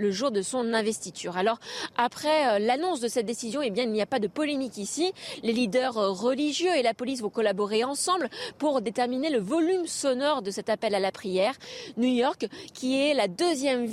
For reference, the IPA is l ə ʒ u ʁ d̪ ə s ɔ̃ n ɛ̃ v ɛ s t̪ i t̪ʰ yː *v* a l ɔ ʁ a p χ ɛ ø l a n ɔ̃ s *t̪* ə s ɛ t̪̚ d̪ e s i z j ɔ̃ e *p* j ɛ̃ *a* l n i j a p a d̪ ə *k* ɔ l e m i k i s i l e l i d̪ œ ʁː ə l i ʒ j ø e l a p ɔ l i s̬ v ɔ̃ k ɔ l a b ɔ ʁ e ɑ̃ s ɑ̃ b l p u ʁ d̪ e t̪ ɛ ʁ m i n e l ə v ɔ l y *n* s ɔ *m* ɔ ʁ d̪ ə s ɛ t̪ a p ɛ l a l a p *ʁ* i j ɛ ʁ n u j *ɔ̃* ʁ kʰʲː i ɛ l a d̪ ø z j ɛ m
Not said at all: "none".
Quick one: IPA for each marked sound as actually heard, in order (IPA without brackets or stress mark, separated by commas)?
ʁ, d̪, b, i, p, m, n, χ, ɔ